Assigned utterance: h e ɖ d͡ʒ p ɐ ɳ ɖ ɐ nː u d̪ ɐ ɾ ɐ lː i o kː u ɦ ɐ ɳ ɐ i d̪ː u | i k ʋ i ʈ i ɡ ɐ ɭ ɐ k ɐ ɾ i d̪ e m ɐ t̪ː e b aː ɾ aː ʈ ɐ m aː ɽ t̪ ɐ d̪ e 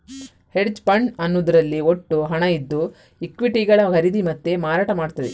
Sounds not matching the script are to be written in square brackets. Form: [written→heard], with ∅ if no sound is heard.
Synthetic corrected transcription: h e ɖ d͡ʒ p ɐ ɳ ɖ ɐ nː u d̪ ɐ ɾ ɐ lː i o [kː→ʈː] u ɦ ɐ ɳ ɐ i d̪ː u | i k ʋ i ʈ i ɡ ɐ ɭ ɐ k ɐ ɾ i d̪ [e→i] m ɐ t̪ː e [b→m] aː ɾ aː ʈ ɐ m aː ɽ t̪ ɐ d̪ e